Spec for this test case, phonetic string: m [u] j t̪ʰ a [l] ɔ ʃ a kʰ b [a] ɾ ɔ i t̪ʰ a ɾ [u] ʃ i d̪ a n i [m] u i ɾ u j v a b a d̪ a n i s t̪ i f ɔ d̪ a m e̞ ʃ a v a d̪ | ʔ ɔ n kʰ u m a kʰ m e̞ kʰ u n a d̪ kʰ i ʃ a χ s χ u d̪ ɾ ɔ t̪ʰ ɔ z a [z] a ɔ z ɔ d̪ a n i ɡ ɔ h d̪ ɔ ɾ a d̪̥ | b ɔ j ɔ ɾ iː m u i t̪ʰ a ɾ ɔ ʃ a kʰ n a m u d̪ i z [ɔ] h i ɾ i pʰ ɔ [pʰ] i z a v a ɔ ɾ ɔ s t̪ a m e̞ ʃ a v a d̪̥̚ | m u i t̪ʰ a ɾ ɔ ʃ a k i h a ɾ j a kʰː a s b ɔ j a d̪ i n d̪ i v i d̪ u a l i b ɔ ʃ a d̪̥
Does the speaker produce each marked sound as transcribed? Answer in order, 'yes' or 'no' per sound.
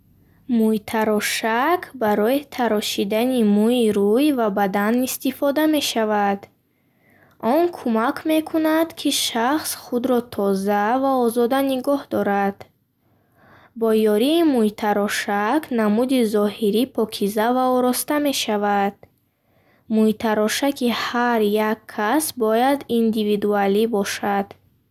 yes, no, yes, no, yes, no, yes, no

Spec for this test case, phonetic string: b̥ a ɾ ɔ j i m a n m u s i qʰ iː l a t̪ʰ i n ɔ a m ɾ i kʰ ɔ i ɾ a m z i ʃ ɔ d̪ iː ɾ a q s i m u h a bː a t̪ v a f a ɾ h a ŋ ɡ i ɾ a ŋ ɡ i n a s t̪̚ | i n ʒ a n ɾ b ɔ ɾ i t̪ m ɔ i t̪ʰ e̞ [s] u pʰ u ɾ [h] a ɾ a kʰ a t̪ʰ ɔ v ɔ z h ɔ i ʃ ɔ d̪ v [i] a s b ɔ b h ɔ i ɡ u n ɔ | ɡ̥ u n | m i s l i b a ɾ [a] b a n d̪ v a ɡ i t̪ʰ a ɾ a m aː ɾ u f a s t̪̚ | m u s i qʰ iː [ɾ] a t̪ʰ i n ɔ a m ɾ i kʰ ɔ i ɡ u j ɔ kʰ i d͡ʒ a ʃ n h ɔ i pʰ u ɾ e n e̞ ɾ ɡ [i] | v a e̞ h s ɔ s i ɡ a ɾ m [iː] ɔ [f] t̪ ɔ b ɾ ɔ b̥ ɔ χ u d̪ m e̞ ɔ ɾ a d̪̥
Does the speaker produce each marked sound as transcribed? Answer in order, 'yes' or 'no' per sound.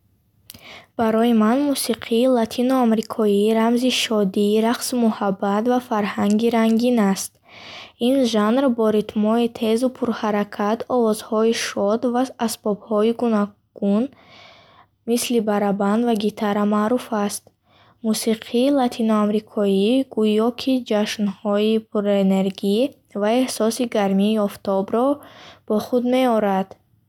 no, yes, no, yes, no, yes, yes, yes

